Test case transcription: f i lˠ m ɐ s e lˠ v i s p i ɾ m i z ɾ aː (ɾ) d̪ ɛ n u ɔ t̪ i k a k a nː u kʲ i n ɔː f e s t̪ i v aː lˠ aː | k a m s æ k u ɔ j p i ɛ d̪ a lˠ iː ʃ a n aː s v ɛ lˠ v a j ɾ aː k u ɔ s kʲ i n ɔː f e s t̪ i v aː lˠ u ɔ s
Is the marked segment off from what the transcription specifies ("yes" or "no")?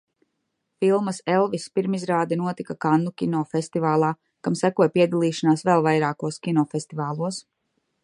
yes